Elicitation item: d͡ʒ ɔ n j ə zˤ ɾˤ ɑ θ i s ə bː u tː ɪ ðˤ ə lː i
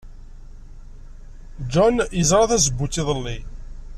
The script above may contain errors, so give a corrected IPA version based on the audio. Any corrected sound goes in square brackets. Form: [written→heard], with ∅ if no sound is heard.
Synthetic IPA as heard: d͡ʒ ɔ n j ə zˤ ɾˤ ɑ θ [i→æ] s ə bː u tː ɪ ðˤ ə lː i